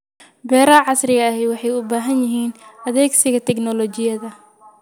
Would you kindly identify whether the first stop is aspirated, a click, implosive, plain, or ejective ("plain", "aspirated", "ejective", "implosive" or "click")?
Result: plain